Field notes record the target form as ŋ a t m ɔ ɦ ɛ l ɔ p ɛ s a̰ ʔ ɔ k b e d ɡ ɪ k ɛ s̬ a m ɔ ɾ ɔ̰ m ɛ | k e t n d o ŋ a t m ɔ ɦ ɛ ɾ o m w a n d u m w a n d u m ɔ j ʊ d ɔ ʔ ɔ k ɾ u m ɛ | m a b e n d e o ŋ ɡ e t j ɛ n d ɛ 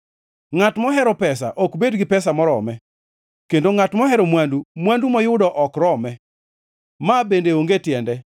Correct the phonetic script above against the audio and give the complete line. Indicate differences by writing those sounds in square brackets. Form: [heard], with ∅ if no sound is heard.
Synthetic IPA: ŋ a t m ɔ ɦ ɛ [ɾ] ɔ p ɛ s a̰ ʔ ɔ k b e d ɡ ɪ [p] ɛ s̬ a m ɔ ɾ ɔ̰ m ɛ | k e [∅] n d o ŋ a t m ɔ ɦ ɛ ɾ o m w a n d u m w a n d u m ɔ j ʊ d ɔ ʔ ɔ k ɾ [ɔ] m ɛ | m a b e n d e o ŋ ɡ e t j ɛ n d ɛ